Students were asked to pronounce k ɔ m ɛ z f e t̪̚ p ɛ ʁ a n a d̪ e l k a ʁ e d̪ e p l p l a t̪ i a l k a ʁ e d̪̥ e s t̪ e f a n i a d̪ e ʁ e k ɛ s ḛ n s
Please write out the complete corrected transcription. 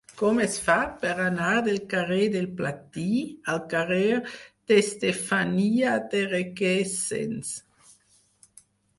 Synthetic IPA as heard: k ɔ m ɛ s f a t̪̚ p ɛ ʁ a n a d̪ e l k a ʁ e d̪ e l p l a t̪ i a l k a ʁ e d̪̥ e s t̪ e f a n i a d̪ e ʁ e k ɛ s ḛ n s